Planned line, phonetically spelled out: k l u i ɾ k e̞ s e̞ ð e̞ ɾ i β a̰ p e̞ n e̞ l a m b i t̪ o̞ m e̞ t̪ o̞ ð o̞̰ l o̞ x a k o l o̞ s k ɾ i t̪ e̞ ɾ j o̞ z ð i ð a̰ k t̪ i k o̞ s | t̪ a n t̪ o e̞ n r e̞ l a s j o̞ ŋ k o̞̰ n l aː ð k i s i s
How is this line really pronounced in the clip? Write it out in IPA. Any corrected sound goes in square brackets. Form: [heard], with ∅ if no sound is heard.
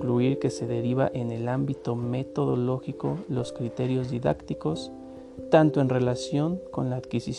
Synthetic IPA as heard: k l u i ɾ k e̞ s e̞ ð e̞ ɾ i β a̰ [ʔ] e̞ n e̞ l a m b i t̪ o̞ m e̞ t̪ o̞ ð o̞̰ l o̞ x [i] k o l o̞ s k ɾ i t̪ e̞ ɾ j o̞ z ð i ð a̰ k t̪ i k o̞ s | t̪ a n t̪ o e̞ n r e̞ l a s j o̞ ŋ k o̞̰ n l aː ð k i s i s